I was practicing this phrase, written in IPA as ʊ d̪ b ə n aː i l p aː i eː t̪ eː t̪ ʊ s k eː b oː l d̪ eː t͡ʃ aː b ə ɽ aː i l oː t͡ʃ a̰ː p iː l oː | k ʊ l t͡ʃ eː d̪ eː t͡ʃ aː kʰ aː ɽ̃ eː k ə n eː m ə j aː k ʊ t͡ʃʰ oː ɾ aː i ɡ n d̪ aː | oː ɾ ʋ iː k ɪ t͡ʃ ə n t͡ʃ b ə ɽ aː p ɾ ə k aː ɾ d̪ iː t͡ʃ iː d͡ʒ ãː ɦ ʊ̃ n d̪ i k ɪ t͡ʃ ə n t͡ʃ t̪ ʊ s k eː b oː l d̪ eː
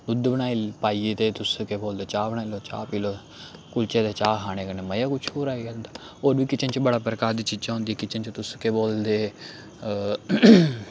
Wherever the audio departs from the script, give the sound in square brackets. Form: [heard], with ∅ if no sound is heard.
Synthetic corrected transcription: ʊ d̪ b ə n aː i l p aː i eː t̪ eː t̪ ʊ s k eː b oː l d̪ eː t͡ʃ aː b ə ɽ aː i l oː t͡ʃ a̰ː p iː l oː | k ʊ l t͡ʃ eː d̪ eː t͡ʃ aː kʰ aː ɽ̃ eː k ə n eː m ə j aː k ʊ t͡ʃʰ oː ɾ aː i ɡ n d̪ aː | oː ɾ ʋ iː k ɪ t͡ʃ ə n t͡ʃ b ə ɽ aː p ɾ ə k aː ɾ d̪ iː t͡ʃ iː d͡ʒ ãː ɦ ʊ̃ n d̪ i k ɪ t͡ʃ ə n t͡ʃ t̪ ʊ s k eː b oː l d̪ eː

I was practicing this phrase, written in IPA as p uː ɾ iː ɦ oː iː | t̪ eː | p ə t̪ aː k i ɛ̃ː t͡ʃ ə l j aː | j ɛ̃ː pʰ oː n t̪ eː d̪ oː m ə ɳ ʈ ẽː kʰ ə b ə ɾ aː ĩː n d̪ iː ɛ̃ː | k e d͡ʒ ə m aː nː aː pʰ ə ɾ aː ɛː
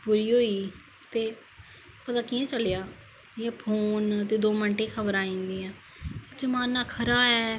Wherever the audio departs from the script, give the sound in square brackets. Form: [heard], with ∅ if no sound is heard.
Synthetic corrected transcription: p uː ɾ iː ɦ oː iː | t̪ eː | p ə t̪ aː k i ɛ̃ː t͡ʃ ə l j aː | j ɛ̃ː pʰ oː n t̪ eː d̪ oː m ə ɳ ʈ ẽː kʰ ə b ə ɾ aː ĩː n d̪ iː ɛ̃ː | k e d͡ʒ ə m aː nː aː [kʰ] ə ɾ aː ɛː

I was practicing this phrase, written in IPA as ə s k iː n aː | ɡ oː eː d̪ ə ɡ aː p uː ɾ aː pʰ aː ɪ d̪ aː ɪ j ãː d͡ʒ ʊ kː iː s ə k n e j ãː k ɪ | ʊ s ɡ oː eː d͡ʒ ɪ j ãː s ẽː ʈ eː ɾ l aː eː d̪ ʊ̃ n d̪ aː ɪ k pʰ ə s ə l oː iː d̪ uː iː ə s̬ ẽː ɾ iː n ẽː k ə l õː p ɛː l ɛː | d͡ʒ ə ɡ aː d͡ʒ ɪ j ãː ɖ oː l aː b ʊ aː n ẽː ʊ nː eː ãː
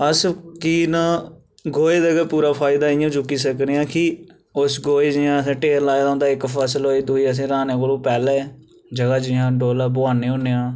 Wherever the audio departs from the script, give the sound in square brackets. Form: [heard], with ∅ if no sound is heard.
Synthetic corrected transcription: ə s k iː n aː | ɡ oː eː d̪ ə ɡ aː p uː ɾ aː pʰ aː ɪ d̪ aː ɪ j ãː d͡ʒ ʊ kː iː s ə k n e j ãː k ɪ | ʊ s ɡ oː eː d͡ʒ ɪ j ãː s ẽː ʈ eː ɾ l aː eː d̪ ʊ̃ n d̪ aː ɪ k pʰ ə s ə l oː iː d̪ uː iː ə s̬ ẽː ɾ [aː] n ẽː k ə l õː p ɛː l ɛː | d͡ʒ ə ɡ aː d͡ʒ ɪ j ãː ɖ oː l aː b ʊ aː n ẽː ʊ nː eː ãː

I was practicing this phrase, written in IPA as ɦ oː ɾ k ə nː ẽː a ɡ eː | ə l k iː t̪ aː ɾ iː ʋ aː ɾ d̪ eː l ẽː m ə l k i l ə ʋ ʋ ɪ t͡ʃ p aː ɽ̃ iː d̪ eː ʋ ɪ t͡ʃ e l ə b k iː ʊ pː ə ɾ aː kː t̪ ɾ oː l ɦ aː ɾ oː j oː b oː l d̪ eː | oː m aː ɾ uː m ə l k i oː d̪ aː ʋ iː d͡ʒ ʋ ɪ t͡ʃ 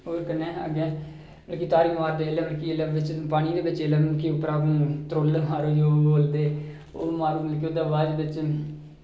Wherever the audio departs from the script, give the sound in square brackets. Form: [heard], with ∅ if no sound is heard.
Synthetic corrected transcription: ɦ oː ɾ k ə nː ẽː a ɡ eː | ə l k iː t̪ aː ɾ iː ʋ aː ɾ d̪ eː l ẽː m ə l k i l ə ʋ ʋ ɪ t͡ʃ p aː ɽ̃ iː d̪ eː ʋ ɪ t͡ʃ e l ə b k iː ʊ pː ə ɾ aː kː t̪ ɾ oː l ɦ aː ɾ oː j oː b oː l d̪ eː | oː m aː ɾ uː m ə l k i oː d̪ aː ʋ [aː] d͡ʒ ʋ ɪ t͡ʃ

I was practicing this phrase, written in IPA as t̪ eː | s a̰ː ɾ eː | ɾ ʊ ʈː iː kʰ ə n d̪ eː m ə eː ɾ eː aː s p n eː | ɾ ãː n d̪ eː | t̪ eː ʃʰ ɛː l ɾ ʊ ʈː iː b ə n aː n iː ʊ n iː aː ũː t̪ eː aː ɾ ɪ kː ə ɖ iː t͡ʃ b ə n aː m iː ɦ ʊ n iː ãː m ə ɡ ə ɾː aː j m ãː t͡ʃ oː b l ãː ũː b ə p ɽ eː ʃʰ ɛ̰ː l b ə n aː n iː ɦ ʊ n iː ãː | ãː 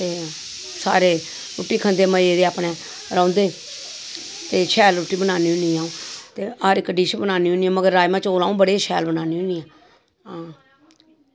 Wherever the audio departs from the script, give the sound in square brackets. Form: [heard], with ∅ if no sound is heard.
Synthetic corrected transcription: t̪ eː | s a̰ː ɾ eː | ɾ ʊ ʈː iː kʰ ə n d̪ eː m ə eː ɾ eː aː [∅] p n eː | ɾ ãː n d̪ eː | t̪ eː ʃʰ ɛː l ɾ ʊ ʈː iː b ə n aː n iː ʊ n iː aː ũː t̪ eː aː ɾ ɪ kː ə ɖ iː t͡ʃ b ə n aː [n] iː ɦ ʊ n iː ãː m ə ɡ ə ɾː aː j m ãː t͡ʃ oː [∅] l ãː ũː b ə [∅] ɽ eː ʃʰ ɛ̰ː l b ə n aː n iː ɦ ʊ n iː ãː | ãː

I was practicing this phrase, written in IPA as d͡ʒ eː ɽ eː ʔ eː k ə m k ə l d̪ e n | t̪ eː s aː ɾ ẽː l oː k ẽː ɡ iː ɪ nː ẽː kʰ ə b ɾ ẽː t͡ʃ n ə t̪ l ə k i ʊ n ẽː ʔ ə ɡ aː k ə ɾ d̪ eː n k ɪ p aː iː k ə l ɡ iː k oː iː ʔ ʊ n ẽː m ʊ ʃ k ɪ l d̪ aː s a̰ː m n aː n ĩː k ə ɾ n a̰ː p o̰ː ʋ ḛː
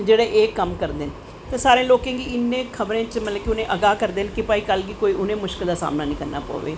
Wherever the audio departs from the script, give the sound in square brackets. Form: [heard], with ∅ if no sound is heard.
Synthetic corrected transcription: d͡ʒ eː ɽ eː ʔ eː k ə m k ə [ɾ] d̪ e n | t̪ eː s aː ɾ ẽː l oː k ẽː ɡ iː ɪ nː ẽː kʰ ə b ɾ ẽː t͡ʃ [m] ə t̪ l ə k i ʊ n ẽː ʔ ə ɡ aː k ə ɾ d̪ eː n k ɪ p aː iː k ə l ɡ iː k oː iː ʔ ʊ n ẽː m ʊ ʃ k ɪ l d̪ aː s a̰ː m n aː n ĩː k ə ɾ n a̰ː p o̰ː ʋ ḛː

